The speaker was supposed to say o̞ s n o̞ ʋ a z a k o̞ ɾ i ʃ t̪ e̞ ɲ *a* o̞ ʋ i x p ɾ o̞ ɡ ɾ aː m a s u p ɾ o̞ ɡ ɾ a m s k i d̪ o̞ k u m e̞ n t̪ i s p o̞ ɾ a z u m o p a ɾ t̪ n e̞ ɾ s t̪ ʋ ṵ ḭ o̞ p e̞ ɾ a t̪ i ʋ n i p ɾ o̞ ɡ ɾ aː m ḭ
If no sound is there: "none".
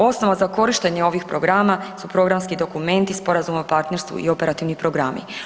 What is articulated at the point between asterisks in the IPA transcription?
e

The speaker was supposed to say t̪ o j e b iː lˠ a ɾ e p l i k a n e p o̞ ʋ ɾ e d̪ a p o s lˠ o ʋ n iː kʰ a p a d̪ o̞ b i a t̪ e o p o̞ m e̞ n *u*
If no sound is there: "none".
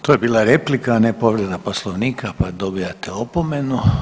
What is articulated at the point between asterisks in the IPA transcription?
u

